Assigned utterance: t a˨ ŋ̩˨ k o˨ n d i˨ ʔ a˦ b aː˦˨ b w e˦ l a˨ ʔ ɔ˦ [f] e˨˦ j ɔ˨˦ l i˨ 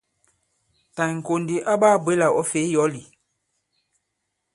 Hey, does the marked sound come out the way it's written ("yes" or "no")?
yes